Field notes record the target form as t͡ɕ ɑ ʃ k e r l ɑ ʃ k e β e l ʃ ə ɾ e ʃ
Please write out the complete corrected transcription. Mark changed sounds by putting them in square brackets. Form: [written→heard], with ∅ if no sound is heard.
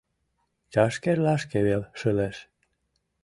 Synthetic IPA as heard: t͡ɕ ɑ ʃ k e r l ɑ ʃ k e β e l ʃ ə [ɾ→l] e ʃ